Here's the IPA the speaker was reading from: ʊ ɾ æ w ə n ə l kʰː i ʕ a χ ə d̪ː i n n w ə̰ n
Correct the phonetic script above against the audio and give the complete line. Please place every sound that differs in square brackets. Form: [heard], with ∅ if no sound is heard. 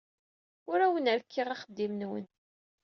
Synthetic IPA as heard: ʊ ɾ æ w ə n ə [ɾ] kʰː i [ʁ] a χ ə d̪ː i [m] n w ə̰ n